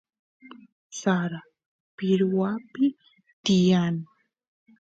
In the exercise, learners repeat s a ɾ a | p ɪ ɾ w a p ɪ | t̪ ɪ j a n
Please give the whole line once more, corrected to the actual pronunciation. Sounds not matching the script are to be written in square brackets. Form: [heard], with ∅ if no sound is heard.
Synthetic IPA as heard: s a ɾ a | p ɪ ɾ w a p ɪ | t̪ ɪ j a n